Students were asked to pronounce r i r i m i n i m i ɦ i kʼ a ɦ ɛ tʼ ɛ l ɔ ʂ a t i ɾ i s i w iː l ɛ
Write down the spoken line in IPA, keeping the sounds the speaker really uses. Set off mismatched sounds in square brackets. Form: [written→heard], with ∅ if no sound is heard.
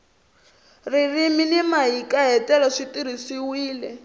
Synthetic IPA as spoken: r i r i m i n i m [i→a] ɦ i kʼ a ɦ ɛ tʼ ɛ l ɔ ʂ [a→i] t i ɾ i s i w iː l ɛ